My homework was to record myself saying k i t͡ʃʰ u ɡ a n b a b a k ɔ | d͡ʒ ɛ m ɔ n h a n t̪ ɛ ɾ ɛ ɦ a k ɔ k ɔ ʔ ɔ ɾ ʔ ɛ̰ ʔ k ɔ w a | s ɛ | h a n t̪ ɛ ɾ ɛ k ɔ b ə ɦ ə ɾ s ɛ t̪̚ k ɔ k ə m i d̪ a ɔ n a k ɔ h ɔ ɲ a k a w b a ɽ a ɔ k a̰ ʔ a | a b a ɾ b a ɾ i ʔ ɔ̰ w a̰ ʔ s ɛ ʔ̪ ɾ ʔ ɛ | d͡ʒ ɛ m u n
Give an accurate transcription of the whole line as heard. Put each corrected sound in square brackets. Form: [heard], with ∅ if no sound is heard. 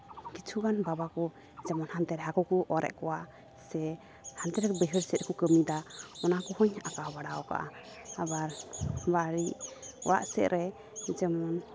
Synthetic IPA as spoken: k i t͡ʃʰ u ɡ a n b a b a k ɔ | d͡ʒ ɛ m ɔ n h a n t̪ ɛ ɾ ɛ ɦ a k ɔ k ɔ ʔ ɔ ɾ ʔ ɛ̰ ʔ k ɔ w a | s ɛ | h a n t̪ ɛ ɾ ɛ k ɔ b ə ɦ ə ɾ s ɛ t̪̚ k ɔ k ə m i d̪ a ɔ n a k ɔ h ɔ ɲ a k a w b a ɽ a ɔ k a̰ ʔ a | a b a ɾ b a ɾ i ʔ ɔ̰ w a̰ ʔ s ɛ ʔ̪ ɾ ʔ ɛ | d͡ʒ ɛ m [ɔ] n

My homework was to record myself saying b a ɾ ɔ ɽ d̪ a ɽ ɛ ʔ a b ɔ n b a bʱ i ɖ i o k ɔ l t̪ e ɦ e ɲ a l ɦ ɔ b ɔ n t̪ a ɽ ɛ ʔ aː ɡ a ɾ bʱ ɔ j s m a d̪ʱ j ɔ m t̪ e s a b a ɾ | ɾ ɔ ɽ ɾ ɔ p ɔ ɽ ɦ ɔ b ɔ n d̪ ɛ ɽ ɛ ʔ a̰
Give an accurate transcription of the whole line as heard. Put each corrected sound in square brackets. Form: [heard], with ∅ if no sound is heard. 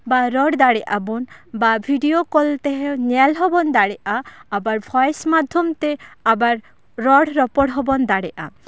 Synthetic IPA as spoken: b a ɾ ɔ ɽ d̪ a ɽ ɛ ʔ a b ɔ n b a bʱ i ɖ i o k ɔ l t̪ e ɦ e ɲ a l ɦ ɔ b ɔ n [d̪] a ɽ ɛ ʔ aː [b] a ɾ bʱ ɔ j s m a d̪ʱ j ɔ m t̪ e [∅] a b a ɾ | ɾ ɔ ɽ ɾ ɔ p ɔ ɽ ɦ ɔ b ɔ n d̪ [a] ɽ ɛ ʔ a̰

